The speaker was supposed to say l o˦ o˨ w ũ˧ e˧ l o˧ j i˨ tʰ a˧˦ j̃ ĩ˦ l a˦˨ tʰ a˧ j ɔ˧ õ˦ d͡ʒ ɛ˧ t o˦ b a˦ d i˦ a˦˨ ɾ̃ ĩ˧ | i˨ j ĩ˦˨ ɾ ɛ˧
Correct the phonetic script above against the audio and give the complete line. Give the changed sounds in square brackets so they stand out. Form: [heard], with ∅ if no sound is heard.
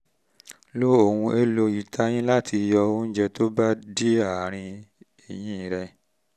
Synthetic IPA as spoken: l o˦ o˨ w ũ˧ e˧ l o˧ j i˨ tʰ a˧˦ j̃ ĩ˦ l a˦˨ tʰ [i˧] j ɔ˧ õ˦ d͡ʒ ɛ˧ t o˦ b a˦ d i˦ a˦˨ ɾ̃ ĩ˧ | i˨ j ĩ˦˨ ɾ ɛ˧